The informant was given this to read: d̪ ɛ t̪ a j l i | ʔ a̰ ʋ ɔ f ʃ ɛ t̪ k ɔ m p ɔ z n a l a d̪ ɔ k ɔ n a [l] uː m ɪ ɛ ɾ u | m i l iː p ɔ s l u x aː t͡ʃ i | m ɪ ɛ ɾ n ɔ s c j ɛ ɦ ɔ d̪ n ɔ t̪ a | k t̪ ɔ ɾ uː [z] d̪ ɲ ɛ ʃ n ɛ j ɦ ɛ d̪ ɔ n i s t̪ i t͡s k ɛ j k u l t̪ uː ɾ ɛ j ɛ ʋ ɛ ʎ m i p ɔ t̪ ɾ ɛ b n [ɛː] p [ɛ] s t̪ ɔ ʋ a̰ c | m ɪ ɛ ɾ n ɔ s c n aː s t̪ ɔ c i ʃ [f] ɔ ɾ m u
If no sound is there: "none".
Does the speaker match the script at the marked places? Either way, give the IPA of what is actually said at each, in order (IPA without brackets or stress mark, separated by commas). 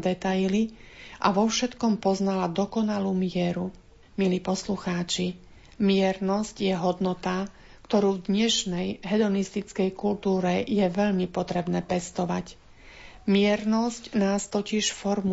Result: l, v, ɛː, ɛ, f